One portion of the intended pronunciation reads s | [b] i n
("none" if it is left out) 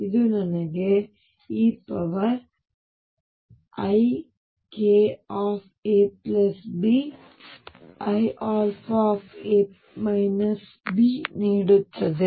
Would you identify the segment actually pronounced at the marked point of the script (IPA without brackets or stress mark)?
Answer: b